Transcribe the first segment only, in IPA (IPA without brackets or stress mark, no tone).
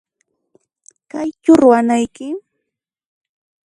k